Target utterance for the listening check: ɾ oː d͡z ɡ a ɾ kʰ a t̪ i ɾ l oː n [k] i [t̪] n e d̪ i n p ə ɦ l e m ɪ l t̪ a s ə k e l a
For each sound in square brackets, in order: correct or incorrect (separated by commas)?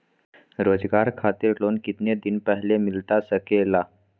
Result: correct, correct